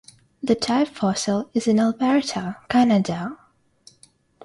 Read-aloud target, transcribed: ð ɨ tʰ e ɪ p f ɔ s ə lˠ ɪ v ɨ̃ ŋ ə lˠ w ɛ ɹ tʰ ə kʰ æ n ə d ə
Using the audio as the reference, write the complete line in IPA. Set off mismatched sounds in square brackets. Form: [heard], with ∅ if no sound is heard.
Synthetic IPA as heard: ð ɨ tʰ [a] ɪ p f ɔ s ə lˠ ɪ [z] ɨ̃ [n] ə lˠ [b] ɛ ɹ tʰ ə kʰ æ n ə d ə

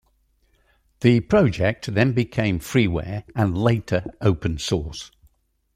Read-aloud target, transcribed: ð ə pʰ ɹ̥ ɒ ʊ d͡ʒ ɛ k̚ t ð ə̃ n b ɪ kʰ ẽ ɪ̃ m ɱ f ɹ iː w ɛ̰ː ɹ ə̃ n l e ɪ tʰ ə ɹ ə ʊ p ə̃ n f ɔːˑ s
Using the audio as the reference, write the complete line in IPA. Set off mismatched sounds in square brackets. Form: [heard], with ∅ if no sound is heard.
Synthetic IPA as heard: ð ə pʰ ɹ̥ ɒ ʊ d͡ʒ ɛ k̚ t ð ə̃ n b ɪ kʰ ẽ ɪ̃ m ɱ f ɹ iː w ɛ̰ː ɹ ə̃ n l e ɪ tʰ ə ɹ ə ʊ p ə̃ n [s] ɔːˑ s

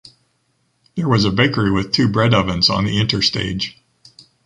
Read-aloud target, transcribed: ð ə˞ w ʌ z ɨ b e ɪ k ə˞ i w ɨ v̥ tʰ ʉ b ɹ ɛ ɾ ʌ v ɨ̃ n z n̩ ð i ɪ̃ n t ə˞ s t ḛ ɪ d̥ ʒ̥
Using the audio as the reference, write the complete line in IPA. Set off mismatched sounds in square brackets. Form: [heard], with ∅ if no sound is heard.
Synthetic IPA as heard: ð ə˞ w ʌ z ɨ b e ɪ k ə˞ i w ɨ [ð̥] tʰ ʉ b ɹ ɛ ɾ ʌ v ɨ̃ n z n̩ ð i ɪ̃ n t ə˞ s t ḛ ɪ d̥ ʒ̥

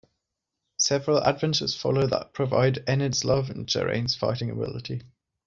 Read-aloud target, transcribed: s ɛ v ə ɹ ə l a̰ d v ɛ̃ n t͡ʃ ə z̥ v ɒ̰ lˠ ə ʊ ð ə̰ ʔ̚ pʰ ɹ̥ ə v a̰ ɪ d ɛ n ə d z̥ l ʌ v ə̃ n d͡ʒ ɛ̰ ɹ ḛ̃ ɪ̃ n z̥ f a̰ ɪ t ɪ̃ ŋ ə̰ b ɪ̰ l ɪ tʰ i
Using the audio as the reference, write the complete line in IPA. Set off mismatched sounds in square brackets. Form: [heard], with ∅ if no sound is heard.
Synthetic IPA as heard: s ɛ v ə ɹ ə l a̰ d v ɛ̃ n t͡ʃ ə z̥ [f] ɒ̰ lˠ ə ʊ ð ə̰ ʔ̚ pʰ ɹ̥ ə v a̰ ɪ d ɛ n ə d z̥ l ʌ v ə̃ n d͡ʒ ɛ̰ ɹ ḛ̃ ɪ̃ n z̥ f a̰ ɪ t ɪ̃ ŋ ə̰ b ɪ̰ l ɪ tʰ i

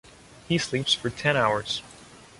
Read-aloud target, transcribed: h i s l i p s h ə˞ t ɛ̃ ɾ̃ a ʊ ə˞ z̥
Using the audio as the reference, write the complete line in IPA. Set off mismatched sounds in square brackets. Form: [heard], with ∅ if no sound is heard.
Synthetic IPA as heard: h i s l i p s [f] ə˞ [tʰ] ɛ̃ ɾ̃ a ʊ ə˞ z̥

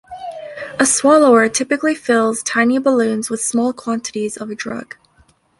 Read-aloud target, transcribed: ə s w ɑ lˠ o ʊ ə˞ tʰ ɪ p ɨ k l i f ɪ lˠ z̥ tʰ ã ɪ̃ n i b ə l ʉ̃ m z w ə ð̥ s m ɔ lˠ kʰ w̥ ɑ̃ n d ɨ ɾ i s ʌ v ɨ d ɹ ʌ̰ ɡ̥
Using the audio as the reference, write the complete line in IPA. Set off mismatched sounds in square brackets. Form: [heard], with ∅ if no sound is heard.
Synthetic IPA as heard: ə s w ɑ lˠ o ʊ ə˞ tʰ ɪ p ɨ k l i f ɪ lˠ z̥ tʰ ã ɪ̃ n i b ə l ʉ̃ [n] z w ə ð̥ s m ɔ lˠ kʰ w̥ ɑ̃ n [t] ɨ ɾ i [z] ʌ v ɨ d ɹ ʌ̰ ɡ̥

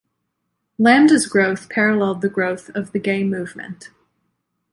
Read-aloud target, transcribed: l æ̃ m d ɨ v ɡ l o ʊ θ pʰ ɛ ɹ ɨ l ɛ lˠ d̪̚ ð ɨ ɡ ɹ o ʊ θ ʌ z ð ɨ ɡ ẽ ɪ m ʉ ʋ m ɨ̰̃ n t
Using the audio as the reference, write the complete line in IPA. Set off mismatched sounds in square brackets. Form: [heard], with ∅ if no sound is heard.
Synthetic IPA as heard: l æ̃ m d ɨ [z] ɡ [ɹ] o ʊ θ pʰ ɛ ɹ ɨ l ɛ lˠ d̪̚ ð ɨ ɡ ɹ o ʊ θ ʌ [v] ð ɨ ɡ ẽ ɪ m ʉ [v] m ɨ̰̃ n t

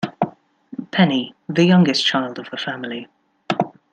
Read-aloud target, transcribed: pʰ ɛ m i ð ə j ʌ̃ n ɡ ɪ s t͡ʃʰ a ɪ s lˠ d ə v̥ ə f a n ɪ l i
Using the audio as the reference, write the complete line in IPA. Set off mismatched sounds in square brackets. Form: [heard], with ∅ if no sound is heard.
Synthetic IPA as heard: pʰ ɛ [n] i ð ə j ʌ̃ [ŋ] ɡ ɪ s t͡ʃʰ a ɪ [∅] lˠ d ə v̥ ə f a [m] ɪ l i

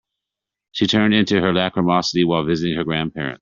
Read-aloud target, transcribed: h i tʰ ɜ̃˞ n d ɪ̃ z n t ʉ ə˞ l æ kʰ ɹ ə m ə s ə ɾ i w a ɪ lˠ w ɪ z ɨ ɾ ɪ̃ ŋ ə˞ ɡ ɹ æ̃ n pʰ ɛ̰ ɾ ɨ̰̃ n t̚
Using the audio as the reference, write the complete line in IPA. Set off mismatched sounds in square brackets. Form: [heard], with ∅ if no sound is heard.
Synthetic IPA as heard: [ʃ] i tʰ ɜ̃˞ n d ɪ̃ [∅] n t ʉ ə˞ l æ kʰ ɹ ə m [ɑ] s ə ɾ i w a ɪ lˠ [v] ɪ z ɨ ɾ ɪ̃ ŋ ə˞ ɡ ɹ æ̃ n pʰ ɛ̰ [ɹ] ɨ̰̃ n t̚

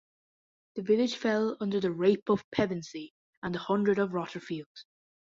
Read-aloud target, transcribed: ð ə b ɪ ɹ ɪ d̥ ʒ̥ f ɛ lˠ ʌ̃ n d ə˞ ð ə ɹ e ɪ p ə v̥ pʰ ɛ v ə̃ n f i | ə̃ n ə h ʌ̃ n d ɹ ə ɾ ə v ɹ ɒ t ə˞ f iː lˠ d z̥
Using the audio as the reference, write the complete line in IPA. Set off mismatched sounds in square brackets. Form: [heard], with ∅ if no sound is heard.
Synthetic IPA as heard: ð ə [v] ɪ [l] ɪ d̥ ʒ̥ f ɛ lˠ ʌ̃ n d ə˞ ð ə ɹ e ɪ p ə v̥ pʰ ɛ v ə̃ n [s] i | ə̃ n ə h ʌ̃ n d ɹ ə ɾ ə v ɹ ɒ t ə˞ f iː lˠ d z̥

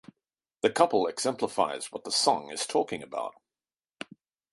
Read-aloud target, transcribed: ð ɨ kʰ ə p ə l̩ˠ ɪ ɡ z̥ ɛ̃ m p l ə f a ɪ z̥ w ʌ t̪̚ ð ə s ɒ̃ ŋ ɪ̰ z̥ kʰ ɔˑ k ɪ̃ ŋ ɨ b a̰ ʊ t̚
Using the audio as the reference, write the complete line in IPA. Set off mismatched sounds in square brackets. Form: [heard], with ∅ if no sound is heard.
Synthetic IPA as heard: ð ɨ kʰ [ʌ] p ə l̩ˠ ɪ ɡ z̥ ɛ̃ m p l ə f a ɪ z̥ w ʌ t̪̚ ð ə s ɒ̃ ŋ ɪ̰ z̥ [tʰ] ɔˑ k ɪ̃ ŋ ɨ b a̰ ʊ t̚

